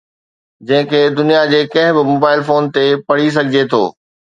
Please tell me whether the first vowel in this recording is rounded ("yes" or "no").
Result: no